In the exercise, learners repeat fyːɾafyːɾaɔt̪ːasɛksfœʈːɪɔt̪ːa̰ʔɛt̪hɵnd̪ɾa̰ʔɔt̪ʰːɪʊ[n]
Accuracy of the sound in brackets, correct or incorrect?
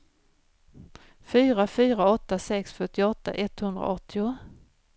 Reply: incorrect